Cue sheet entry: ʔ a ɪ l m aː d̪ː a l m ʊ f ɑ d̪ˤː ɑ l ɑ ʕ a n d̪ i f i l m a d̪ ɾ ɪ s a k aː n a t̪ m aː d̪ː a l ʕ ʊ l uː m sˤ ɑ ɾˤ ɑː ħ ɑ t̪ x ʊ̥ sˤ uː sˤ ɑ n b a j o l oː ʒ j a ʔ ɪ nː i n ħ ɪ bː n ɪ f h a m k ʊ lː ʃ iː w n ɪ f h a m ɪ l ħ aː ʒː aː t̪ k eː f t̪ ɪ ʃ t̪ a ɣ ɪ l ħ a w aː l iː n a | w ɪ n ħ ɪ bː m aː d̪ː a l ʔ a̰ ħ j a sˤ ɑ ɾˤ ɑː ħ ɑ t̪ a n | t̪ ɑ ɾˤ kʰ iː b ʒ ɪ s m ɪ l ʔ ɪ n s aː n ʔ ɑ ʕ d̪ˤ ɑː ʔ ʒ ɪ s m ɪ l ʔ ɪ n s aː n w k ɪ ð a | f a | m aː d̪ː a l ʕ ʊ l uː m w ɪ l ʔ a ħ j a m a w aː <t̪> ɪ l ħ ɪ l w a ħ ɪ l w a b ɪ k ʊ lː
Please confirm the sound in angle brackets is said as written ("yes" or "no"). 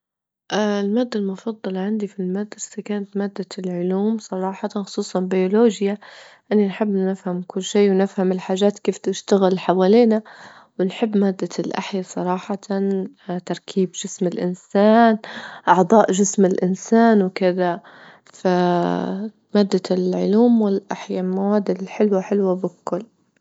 no